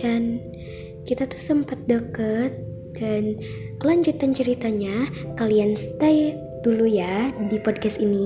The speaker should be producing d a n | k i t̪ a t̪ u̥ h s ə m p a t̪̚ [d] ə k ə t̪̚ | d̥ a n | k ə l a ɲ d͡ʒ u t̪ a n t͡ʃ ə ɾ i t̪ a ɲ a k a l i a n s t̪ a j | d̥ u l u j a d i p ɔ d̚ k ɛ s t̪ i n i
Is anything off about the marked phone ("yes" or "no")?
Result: no